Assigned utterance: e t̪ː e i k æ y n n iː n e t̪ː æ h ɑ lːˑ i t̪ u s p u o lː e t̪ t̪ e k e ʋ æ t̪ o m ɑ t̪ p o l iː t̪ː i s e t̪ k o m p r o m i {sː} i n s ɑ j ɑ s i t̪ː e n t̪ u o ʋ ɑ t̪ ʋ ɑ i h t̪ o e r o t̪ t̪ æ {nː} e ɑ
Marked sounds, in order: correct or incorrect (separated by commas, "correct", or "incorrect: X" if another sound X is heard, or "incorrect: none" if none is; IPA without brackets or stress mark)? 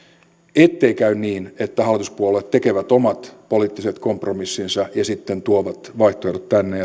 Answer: correct, correct